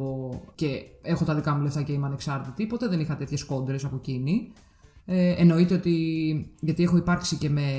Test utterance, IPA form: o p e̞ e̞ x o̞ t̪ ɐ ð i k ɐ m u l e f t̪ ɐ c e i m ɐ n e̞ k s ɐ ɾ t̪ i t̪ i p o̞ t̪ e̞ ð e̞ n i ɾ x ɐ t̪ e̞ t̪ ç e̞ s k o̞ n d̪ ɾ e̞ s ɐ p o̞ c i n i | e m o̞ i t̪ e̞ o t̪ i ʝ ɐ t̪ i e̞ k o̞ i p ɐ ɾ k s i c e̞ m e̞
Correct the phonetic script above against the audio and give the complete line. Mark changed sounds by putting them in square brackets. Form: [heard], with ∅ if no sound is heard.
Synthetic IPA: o [c] e̞ e̞ x o̞ t̪ ɐ ð i k ɐ m u l e f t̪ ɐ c e i m ɐ n e̞ k s ɐ ɾ t̪ i t̪ i p o̞ t̪ e̞ ð e̞ n i [∅] x ɐ t̪ e̞ t̪ ç e̞ s k o̞ n d̪ ɾ e̞ s ɐ p o̞ c i n i | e [n] o̞ i t̪ e̞ o t̪ i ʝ ɐ t̪ i e̞ [x] o̞ i p ɐ ɾ k s i c e̞ m e̞